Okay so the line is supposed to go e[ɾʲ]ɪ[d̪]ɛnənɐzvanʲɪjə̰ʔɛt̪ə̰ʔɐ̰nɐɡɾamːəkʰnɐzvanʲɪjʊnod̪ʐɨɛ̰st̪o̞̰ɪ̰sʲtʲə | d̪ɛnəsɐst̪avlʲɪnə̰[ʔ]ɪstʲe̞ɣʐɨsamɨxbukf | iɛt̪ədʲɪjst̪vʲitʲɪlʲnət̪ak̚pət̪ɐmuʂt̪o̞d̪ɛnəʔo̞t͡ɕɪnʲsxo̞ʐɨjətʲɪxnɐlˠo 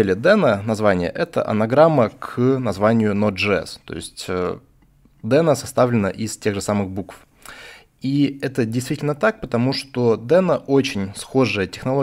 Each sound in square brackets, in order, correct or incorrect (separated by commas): incorrect, correct, correct